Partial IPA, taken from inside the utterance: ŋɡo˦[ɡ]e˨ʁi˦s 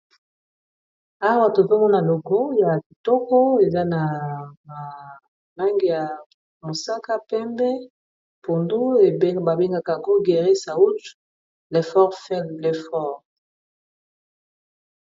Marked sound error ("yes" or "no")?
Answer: no